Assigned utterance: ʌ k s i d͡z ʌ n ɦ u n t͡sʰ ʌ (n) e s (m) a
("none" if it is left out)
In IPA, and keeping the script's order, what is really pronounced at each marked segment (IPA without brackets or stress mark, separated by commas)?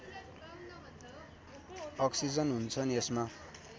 n, m